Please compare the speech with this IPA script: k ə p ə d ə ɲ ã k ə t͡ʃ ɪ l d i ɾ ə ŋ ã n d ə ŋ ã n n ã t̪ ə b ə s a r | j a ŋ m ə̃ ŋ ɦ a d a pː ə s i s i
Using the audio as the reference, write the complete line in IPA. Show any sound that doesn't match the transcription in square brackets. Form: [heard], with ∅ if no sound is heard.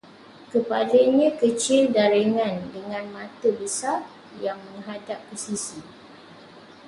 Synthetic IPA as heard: k ə p [a] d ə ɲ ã k ə t͡ʃ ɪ l d [a] ɾ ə ŋ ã n d ə ŋ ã n [m] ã t̪ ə b ə s a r | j a ŋ m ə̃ ŋ ɦ a d a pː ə s i s i

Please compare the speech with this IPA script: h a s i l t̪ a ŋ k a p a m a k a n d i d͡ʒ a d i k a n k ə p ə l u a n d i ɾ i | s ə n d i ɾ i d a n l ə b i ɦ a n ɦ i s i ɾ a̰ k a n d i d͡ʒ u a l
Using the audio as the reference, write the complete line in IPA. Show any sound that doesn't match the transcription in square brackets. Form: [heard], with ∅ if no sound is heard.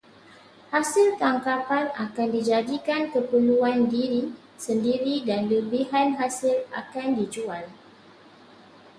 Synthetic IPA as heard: h a s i l t̪ a ŋ k a p a [n] a k a n d i d͡ʒ a d i k a n k ə p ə l u a n d i ɾ i | s ə n d i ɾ i d a n l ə b i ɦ a n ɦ [a] s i [l] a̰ k a n d i d͡ʒ u a l

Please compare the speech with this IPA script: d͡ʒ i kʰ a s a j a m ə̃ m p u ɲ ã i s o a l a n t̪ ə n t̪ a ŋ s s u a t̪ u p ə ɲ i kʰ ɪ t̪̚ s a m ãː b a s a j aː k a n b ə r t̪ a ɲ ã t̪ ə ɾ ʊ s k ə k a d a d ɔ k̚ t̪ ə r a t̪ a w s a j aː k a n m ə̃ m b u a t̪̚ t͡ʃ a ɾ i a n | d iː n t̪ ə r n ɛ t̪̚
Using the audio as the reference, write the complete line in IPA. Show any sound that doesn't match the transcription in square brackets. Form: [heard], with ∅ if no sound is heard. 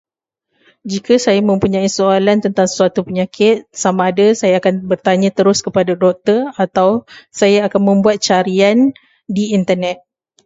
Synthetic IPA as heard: d͡ʒ i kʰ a s a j a m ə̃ m p u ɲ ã i s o a l a n t̪ ə n t̪ a ŋ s s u a t̪ u p ə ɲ [a] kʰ ɪ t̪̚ s a m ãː [d] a s a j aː k a n b ə r t̪ a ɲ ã t̪ ə ɾ ʊ s k ə [p] a d a d ɔ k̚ t̪ ə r a t̪ a w s a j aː k a n m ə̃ m b u a t̪̚ t͡ʃ a ɾ i a n | d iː n t̪ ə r n ɛ t̪̚

